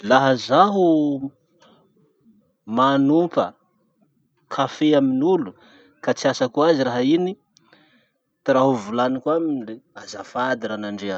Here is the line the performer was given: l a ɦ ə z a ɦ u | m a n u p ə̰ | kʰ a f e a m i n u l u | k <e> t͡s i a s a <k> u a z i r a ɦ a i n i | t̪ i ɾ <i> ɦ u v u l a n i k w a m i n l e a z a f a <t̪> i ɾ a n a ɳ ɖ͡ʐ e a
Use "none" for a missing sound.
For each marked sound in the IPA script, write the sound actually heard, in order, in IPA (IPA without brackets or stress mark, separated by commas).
a, k, a, d̪